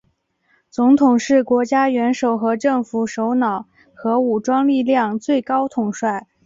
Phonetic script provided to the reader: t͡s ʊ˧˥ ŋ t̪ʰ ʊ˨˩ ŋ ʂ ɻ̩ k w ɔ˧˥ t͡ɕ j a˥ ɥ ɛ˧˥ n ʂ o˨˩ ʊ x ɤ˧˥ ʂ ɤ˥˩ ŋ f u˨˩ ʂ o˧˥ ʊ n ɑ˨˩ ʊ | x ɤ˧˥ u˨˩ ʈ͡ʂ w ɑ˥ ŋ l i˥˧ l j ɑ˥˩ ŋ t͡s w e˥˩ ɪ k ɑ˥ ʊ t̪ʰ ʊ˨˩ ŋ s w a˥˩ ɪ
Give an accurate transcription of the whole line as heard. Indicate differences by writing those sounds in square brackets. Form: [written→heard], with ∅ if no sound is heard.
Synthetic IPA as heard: t͡s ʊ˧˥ ŋ t̪ʰ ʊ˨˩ ŋ ʂ ɻ̩ k w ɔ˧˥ t͡ɕ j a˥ ɥ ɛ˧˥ n ʂ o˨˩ ʊ x ɤ˧˥ [ʂ→ʈ͡ʂ] ɤ˥˩ ŋ f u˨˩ ʂ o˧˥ ʊ n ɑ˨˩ ʊ | x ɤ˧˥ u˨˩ ʈ͡ʂ w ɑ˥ ŋ l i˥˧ l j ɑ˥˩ ŋ t͡s w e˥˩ ɪ k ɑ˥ ʊ t̪ʰ ʊ˨˩ ŋ [s→ʂ] w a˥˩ ɪ